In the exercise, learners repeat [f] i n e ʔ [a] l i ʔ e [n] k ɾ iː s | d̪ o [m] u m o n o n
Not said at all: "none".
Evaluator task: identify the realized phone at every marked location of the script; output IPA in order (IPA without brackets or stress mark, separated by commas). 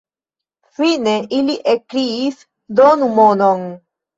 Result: f, i, none, n